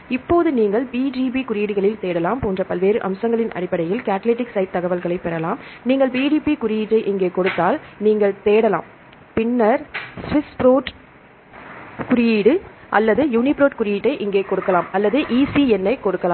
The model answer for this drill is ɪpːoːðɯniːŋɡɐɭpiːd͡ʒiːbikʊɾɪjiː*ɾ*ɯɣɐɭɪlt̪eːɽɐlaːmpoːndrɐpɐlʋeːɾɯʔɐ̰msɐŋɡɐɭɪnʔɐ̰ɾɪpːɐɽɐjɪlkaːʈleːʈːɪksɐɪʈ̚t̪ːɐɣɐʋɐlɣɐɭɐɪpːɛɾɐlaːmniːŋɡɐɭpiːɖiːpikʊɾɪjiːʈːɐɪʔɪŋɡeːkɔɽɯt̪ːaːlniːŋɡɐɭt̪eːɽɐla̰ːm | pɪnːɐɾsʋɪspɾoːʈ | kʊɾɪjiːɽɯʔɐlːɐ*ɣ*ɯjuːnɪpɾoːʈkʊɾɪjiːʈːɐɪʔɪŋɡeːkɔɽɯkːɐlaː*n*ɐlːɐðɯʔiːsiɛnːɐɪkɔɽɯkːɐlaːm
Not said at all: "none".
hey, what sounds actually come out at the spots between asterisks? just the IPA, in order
ɽ, ð, m

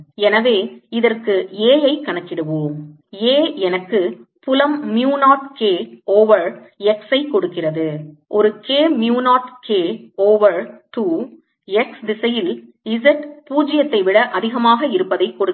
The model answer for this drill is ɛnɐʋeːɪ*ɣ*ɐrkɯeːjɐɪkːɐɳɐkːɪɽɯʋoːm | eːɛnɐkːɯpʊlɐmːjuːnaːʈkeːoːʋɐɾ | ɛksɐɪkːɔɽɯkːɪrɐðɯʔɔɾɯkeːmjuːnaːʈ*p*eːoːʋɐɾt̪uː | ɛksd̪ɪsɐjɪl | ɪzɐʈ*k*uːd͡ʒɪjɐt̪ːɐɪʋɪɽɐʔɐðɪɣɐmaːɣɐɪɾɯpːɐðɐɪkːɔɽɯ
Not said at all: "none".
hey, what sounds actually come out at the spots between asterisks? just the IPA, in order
ð, k, p

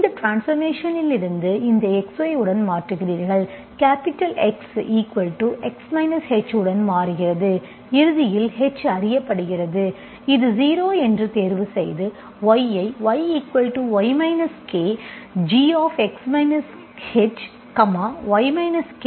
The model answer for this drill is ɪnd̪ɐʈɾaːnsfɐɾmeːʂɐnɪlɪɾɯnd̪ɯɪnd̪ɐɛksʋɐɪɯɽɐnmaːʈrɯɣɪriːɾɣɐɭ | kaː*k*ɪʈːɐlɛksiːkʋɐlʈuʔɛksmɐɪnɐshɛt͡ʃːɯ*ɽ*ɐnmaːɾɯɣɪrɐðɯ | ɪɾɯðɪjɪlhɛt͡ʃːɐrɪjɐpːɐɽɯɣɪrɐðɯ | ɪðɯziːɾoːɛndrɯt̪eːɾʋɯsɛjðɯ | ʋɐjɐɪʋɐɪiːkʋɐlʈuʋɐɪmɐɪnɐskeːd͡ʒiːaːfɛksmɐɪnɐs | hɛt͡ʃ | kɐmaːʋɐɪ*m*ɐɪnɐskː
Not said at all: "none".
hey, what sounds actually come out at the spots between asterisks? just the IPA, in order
p, ɽ, m

